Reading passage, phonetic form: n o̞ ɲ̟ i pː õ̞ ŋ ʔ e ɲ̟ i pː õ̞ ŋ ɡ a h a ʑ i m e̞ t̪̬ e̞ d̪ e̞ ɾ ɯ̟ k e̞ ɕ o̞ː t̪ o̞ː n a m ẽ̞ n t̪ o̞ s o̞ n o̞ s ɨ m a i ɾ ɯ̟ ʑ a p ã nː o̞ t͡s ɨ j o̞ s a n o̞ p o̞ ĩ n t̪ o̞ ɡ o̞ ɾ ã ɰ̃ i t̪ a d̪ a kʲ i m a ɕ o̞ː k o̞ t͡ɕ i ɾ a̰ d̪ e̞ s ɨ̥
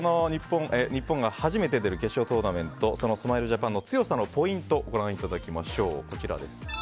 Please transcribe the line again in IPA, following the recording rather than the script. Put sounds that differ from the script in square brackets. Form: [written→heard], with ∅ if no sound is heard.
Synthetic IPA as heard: n o̞ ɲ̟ i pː õ̞ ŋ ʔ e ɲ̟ i pː õ̞ ŋ ɡ a h a ʑ i m e̞ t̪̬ e̞ d̪ e̞ ɾ ɯ̟ k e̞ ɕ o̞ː t̪ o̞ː n a m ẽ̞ n t̪ o̞ s o̞ n o̞ s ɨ m a i ɾ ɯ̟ ʑ a p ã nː o̞ t͡s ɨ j o̞ s a n o̞ p o̞ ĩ n t̪ o̞ ɡ o̞ ɾ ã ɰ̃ i t̪ a d̪ a kʲ i m a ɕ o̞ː k o̞ t͡ɕ i ɾ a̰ d̪ e̞ s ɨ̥